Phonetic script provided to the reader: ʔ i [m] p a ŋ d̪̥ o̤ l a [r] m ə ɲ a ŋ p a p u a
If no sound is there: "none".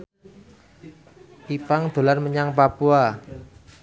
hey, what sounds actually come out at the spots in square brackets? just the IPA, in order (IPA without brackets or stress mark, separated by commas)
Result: none, r